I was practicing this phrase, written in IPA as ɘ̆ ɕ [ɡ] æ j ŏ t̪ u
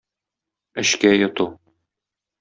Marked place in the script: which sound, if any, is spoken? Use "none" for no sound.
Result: k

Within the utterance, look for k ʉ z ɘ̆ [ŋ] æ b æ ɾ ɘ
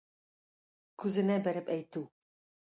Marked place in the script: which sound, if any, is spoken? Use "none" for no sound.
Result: n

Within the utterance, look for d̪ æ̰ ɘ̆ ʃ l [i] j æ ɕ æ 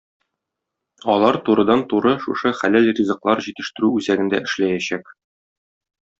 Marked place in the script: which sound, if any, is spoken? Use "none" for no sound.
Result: æ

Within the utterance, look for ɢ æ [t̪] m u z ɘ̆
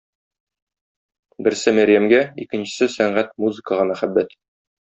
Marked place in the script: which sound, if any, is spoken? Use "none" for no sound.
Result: t̪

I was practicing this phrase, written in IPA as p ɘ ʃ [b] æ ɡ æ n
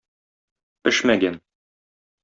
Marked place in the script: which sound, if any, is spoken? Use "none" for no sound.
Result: m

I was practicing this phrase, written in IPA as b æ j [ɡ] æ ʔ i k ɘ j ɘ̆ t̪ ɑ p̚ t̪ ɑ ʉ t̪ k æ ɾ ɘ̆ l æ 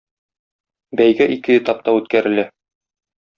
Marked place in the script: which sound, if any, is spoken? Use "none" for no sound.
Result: ɡ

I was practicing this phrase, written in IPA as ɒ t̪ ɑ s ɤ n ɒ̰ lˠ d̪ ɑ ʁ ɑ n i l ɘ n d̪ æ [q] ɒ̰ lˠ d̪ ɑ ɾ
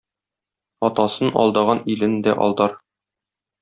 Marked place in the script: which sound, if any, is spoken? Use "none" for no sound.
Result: ʔ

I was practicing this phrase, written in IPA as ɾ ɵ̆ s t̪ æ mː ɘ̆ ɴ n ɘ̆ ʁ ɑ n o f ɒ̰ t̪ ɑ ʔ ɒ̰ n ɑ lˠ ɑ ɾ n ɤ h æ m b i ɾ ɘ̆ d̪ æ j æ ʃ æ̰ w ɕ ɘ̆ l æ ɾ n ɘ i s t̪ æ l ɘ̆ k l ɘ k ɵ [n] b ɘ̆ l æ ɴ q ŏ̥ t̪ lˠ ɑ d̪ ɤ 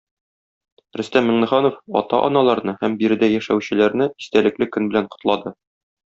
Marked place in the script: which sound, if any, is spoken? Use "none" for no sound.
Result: n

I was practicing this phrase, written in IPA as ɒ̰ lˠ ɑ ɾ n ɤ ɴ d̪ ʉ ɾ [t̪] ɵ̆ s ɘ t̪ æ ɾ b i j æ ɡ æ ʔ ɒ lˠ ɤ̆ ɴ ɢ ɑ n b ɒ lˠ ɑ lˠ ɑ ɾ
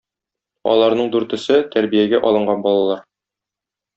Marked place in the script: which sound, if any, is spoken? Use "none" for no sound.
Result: t̪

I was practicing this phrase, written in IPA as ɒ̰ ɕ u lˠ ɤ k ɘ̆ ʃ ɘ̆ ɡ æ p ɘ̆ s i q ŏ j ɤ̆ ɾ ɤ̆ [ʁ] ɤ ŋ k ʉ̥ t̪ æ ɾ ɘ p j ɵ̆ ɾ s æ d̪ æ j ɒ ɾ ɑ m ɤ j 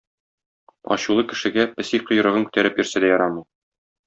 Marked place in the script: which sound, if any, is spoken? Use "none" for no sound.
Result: ʁ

